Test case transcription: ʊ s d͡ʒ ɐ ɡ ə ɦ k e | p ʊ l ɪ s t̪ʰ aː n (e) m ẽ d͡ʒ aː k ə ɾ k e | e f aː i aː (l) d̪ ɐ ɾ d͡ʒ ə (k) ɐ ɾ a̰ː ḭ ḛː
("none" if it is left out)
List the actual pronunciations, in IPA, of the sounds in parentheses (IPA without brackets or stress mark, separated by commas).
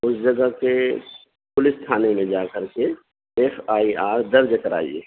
e, ɾ, k